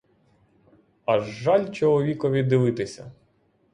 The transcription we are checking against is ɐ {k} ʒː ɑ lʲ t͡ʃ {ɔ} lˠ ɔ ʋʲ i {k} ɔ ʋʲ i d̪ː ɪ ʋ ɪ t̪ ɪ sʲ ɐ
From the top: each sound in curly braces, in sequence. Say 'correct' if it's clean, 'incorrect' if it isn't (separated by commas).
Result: incorrect, correct, correct